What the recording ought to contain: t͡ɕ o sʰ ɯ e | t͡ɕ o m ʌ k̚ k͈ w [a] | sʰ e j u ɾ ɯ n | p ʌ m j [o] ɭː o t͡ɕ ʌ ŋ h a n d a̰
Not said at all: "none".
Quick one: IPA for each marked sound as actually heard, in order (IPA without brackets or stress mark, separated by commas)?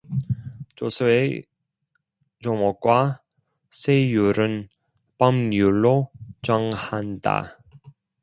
a, u